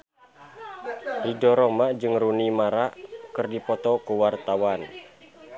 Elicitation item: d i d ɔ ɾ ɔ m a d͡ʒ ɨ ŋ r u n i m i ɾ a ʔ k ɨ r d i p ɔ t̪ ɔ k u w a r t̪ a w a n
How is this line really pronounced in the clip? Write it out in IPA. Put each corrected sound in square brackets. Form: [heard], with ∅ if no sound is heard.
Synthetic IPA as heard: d i d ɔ ɾ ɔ m a d͡ʒ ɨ ŋ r u n i m [a] ɾ a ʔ k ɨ r d i p ɔ t̪ ɔ k u w a r t̪ a w a n